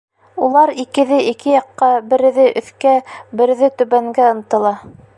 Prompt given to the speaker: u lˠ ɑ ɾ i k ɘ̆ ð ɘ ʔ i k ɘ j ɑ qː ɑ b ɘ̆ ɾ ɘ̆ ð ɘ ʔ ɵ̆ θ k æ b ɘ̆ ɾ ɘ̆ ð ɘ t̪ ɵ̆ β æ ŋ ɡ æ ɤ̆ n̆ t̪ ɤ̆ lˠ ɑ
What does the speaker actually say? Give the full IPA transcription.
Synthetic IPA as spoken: u lˠ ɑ ɾ i k ɘ̆ ð ɘ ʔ i k ɘ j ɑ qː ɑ b ɘ̆ ɾ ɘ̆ ð ɘ ʔ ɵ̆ θ k æ b ɘ̆ ɾ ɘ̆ ð ɘ t̪ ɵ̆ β æ ŋ ɡ æ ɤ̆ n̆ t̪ ɤ̆ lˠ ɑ